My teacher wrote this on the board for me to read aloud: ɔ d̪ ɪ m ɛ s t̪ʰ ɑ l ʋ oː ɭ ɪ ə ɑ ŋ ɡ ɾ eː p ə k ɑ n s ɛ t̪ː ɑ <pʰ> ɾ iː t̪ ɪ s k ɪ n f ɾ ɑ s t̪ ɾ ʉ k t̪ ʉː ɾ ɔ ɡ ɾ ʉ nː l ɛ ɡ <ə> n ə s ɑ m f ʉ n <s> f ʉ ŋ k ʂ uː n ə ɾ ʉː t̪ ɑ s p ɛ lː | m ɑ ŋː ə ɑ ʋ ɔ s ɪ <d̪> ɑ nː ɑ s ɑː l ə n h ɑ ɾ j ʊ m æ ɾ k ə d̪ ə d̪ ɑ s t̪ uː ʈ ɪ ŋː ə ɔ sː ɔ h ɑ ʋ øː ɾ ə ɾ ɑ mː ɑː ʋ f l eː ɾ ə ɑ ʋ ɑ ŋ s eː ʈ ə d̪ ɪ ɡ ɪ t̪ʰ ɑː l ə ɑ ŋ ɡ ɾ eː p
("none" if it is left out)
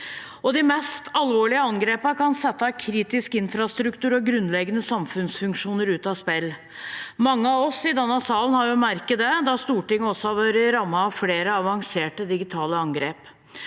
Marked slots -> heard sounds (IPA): kʰ, ə, s, d̪

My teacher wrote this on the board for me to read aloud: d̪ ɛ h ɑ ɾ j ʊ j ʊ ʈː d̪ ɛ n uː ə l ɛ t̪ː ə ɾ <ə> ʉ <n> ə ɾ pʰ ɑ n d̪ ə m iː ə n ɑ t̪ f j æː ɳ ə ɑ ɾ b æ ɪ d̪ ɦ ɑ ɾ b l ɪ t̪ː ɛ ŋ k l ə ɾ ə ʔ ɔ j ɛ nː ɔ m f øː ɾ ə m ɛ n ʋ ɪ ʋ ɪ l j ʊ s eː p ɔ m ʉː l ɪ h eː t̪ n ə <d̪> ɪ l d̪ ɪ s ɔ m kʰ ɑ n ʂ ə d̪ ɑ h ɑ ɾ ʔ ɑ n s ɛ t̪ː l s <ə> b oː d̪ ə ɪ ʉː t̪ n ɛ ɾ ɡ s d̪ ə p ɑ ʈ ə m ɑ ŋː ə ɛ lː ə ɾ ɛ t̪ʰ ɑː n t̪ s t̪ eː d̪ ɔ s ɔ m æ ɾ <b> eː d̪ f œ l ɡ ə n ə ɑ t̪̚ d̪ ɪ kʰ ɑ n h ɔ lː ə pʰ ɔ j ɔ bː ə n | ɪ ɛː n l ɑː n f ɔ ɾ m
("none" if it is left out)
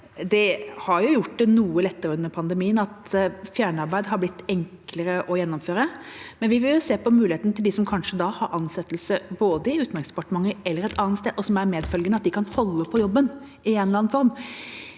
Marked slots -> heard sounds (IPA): ə, nː, t̪, ə, m

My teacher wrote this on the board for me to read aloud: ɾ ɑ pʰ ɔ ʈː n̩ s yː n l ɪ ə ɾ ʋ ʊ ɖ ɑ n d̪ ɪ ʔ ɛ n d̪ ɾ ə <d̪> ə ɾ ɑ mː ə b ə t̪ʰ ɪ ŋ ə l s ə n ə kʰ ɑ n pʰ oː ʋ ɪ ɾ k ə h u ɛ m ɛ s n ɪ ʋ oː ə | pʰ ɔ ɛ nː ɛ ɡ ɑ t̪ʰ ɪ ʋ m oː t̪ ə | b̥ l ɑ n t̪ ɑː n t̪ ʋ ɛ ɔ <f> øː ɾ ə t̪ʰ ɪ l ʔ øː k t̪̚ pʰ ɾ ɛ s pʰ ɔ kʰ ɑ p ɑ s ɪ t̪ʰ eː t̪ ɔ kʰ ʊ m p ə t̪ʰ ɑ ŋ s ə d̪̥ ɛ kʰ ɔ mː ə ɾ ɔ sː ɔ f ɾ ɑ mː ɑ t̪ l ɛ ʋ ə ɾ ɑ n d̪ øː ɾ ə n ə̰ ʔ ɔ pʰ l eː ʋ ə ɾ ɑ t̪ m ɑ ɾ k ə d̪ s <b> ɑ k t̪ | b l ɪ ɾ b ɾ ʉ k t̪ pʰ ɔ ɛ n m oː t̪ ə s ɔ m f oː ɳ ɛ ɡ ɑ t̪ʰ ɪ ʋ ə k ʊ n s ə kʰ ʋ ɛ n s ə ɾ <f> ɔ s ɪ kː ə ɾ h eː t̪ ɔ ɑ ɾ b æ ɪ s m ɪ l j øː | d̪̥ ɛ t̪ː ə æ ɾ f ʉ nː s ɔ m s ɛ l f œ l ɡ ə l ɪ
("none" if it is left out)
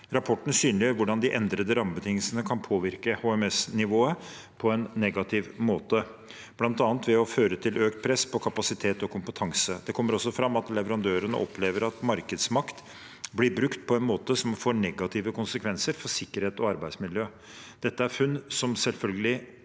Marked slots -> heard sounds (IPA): d̪, f, m, f

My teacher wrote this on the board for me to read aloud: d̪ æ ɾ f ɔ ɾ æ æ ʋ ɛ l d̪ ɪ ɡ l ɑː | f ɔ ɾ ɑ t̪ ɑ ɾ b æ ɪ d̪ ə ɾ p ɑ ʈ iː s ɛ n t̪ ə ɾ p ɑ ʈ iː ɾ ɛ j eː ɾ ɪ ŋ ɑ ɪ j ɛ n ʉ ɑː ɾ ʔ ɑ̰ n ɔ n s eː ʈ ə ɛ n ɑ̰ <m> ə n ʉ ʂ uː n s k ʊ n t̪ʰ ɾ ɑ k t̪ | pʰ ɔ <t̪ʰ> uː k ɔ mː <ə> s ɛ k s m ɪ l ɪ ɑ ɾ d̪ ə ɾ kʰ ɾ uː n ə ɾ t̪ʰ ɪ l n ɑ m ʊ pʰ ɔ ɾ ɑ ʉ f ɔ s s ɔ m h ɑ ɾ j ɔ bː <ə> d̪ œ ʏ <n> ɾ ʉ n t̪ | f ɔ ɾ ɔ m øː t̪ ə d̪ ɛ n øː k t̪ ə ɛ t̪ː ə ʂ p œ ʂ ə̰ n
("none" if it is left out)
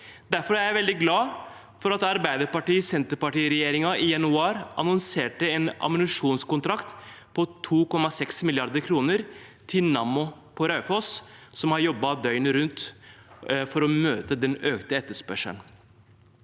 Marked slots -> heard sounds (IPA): m, t̪ʰ, ɑ, ɑ, n

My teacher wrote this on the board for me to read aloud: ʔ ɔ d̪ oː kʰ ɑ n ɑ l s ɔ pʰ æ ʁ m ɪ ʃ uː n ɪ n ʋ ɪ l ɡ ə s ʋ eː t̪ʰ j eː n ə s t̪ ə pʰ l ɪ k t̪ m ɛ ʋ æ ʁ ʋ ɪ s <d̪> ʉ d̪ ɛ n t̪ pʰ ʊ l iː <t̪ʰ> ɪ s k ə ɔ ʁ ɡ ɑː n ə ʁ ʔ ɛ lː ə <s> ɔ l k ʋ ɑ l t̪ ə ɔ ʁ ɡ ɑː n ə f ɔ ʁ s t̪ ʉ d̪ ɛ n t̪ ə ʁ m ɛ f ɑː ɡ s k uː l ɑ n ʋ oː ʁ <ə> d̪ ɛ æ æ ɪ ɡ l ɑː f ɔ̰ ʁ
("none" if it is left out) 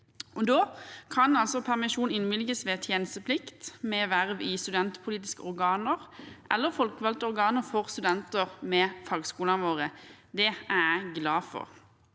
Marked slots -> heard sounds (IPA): t̪, t̪, f, ə

